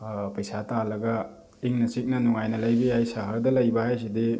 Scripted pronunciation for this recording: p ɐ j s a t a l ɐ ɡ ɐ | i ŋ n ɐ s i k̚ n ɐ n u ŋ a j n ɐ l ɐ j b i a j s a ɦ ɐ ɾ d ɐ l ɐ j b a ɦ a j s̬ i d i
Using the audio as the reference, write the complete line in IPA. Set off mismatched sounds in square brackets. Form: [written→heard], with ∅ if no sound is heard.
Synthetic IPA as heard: p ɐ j s a t a l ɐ ɡ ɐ | i ŋ n ɐ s i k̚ n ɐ n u ŋ a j n ɐ l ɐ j b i a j s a ɦ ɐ ɾ d ɐ l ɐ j b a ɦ a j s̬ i d i